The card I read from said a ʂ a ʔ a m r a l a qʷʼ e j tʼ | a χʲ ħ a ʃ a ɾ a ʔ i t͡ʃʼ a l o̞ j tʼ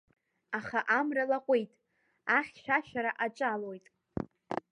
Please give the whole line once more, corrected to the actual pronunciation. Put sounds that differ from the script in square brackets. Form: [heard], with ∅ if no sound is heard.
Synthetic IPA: a [χ] a ʔ a m r a l a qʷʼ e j tʼ | a χʲ [ʃ] a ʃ a ɾ a ʔ [a] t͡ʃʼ a l o̞ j tʼ